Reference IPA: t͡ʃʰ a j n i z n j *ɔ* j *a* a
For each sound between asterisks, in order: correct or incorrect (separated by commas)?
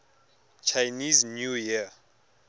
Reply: incorrect, incorrect